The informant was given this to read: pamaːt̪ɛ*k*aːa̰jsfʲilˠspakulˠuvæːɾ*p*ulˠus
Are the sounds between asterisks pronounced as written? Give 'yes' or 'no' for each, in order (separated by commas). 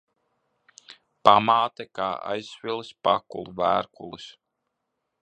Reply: yes, no